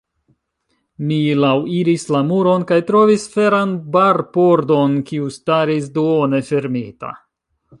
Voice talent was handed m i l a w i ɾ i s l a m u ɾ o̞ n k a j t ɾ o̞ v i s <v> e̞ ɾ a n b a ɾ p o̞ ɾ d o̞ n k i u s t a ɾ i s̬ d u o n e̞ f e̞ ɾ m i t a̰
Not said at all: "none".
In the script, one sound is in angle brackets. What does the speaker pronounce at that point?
f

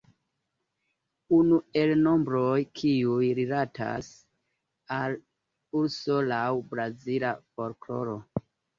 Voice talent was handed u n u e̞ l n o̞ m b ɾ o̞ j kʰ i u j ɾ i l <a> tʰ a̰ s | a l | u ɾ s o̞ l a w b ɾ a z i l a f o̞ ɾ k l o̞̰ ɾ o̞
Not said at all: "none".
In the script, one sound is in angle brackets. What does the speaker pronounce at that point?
a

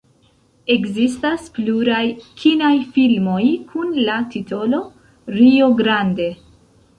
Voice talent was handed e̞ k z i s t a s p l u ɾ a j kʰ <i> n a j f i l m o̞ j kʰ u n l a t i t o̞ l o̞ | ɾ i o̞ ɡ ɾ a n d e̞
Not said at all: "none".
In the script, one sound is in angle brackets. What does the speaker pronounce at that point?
i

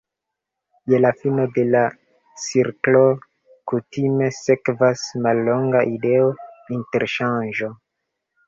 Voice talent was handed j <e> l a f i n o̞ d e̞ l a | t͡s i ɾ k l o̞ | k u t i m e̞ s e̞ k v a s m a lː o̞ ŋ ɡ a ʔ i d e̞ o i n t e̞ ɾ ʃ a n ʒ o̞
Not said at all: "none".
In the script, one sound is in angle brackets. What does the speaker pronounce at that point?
e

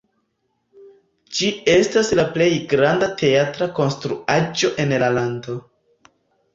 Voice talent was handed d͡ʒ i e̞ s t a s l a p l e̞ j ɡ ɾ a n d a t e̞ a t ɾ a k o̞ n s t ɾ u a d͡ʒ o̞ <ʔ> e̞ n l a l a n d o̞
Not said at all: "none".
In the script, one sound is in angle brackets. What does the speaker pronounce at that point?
ʔ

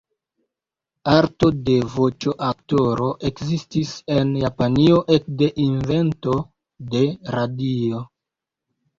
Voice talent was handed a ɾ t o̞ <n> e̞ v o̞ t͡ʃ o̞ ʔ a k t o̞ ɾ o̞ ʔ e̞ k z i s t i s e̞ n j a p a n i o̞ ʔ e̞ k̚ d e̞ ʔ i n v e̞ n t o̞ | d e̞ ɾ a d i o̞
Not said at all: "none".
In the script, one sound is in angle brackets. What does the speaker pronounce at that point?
d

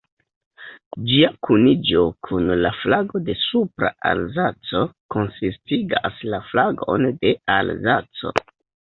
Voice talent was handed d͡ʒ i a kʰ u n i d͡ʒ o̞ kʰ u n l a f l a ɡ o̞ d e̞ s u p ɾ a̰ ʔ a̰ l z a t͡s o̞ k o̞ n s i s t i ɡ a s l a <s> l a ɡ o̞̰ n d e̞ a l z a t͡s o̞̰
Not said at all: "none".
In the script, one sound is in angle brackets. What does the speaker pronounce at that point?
f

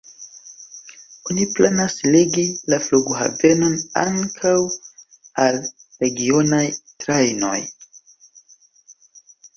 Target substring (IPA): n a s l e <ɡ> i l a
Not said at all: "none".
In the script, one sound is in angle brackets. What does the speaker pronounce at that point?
ɡ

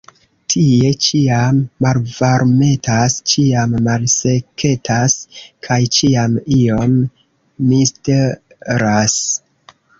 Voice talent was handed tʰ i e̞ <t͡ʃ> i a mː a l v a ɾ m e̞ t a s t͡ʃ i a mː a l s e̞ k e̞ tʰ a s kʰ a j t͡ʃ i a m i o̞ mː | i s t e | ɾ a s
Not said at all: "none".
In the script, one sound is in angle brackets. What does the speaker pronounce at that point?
t͡ʃ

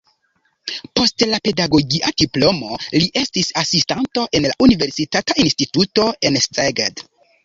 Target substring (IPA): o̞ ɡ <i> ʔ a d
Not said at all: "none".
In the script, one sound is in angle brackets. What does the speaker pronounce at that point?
i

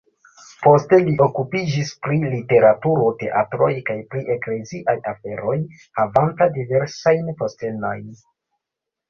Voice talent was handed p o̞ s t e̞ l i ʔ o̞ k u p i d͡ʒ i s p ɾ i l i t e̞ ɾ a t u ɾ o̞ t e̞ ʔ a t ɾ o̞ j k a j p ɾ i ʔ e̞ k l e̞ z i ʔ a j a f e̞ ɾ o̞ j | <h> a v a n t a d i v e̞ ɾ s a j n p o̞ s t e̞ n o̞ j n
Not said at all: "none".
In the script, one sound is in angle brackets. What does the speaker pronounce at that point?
h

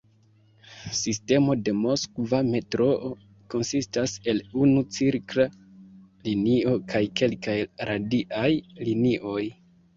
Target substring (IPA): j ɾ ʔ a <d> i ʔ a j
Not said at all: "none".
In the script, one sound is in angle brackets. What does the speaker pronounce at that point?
d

